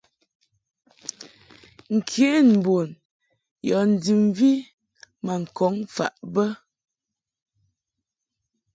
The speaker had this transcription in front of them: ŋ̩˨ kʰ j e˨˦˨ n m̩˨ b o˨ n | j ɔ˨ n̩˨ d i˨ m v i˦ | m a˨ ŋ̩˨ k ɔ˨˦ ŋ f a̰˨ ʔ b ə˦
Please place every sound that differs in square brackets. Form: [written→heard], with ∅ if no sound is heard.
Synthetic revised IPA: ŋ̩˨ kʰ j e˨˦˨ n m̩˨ b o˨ n | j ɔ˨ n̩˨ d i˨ m v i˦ | m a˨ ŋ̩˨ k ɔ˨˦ ŋ f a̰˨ ʔ b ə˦